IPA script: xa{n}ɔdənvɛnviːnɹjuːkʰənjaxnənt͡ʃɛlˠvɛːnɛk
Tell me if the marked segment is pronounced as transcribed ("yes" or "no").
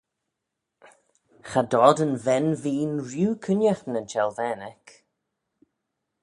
no